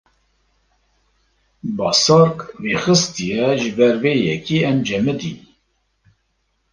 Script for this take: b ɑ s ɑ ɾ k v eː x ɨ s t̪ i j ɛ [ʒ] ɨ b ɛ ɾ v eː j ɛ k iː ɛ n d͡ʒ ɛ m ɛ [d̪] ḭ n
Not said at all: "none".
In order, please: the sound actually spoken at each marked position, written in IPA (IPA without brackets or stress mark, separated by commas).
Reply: ʒ, d̪